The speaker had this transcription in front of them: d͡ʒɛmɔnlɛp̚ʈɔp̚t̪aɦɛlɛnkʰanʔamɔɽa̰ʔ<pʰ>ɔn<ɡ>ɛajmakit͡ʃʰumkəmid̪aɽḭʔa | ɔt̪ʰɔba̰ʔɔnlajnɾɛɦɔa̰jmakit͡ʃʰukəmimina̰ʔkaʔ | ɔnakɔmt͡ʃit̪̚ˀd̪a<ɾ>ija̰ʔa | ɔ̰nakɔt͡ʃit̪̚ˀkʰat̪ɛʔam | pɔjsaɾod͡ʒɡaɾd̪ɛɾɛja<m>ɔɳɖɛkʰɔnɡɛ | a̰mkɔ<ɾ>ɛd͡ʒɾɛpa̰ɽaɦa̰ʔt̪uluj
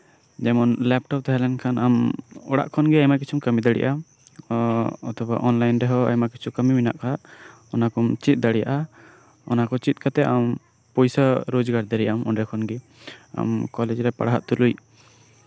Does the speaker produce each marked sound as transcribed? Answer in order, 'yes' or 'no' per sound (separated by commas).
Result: no, yes, no, yes, no